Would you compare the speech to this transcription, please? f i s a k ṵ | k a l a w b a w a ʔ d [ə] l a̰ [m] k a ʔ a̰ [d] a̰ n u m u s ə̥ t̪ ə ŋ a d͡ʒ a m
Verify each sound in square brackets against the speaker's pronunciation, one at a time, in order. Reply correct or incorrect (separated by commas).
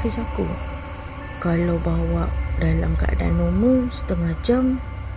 incorrect, correct, correct